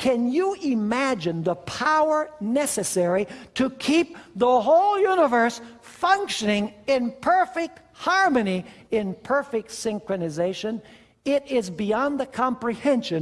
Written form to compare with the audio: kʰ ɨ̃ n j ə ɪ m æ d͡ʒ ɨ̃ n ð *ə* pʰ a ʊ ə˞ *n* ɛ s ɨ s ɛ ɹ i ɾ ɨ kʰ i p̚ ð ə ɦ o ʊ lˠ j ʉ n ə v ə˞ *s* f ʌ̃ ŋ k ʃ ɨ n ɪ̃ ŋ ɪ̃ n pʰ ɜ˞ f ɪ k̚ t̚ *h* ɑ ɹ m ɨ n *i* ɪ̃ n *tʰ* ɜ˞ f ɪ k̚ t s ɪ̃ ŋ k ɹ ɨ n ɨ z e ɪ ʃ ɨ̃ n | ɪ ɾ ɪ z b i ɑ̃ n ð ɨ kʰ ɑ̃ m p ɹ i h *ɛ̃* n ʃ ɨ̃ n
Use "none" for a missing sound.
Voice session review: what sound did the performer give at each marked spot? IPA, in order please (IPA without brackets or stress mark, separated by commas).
ə, n, s, h, i, pʰ, ɛ̃